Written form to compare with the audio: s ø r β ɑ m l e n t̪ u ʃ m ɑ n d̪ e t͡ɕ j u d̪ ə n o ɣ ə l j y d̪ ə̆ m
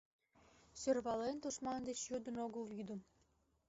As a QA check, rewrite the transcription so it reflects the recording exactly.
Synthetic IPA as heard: s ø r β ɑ l e n t̪ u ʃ m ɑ n d̪ e t͡ɕ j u d̪ ə n o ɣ ə l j y d̪ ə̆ m